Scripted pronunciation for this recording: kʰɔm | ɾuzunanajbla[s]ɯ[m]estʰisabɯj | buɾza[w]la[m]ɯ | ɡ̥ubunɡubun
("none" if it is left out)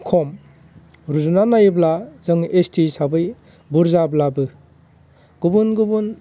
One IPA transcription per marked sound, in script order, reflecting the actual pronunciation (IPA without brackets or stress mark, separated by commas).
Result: z, ŋ, b, b